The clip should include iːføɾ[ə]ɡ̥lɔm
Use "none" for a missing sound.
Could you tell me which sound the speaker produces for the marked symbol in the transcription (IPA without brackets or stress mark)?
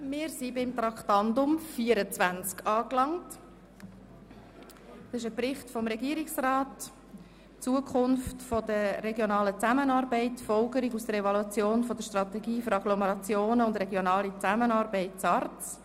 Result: ɑ